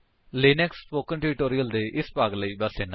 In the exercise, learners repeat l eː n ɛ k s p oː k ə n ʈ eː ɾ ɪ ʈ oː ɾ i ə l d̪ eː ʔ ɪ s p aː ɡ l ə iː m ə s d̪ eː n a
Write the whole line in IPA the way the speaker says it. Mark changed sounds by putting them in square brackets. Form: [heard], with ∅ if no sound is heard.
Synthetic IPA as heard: l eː n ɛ k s p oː k ə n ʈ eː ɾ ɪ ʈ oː ɾ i ə l d̪ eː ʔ ɪ s p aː ɡ l ə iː [b] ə s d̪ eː n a